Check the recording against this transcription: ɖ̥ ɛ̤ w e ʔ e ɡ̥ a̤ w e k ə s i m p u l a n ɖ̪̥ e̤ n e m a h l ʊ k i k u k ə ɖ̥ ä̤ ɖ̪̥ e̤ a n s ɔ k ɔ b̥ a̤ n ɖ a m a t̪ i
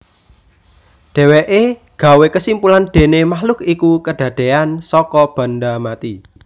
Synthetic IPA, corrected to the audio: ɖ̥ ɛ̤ w e ʔ e ɡ̥ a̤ w e k ə s i m p u l a n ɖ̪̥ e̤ n e m a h l ʊ k i k u k ə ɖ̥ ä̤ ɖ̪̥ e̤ a n s ɔ k ɔ b̥ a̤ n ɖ a m a t̪ i